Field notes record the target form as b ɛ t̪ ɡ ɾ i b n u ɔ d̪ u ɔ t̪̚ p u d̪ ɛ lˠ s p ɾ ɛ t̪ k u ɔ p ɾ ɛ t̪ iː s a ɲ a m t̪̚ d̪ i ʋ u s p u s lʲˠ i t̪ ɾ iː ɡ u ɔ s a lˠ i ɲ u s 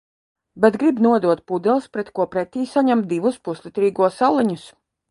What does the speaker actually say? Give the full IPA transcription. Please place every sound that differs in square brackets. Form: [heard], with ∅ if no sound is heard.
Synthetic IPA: b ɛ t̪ ɡ ɾ i b n u ɔ d̪ u ɔ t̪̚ p u d̪ ɛ lˠ s p ɾ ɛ t̪ k u ɔ p ɾ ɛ t̪ iː s a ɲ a m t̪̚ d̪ i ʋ u s p u s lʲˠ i t̪ ɾ iː ɡ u ɔ s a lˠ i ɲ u s